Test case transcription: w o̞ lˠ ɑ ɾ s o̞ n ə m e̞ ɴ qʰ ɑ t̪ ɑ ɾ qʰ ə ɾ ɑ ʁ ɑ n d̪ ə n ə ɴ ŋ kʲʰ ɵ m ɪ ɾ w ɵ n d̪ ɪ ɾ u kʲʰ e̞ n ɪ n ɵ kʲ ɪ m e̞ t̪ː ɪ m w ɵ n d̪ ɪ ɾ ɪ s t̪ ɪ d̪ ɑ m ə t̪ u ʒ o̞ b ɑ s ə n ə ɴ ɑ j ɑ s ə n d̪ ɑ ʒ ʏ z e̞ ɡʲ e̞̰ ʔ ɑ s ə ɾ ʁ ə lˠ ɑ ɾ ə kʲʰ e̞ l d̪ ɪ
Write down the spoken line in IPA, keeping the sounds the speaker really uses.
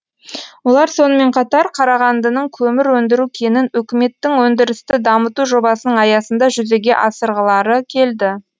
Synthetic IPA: w o̞ lˠ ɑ ɾ s o̞ n ə m e̞ ɴ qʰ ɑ t̪ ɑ ɾ qʰ ɑ ɾ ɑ ʁ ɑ n d̪ ə n ə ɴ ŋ kʲʰ ɵ m ɪ ɾ w ɵ n d̪ ɪ ɾ u kʲʰ e̞ n ɪ n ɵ kʲ ɪ m e̞ t̪ː ɪ ŋ w ɵ n d̪ ɪ ɾ ɪ s t̪ ɪ d̪ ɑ m ə t̪ u ʒ o̞ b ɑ s ə n ə ɴ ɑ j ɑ s ə n d̪ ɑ ʒ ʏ z e̞ ɡʲ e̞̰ ʔ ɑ s ə ɾ ʁ ə lˠ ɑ ɾ ə kʲʰ e̞ l d̪ ɪ